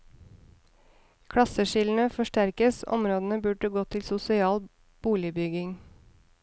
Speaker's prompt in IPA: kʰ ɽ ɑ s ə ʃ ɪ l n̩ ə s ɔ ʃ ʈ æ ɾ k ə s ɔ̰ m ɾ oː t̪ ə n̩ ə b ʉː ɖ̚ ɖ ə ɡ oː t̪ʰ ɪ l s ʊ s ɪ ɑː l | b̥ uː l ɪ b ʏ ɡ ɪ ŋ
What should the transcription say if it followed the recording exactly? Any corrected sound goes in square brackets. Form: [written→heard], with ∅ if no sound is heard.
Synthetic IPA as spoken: kʰ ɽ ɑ s ə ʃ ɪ l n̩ ə [s→f] ɔ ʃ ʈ æ ɾ k ə s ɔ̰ m ɾ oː [t̪→d̪] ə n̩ ə b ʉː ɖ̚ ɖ ə ɡ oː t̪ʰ ɪ l s ʊ s ɪ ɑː l | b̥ uː l ɪ b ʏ ɡ ɪ ŋ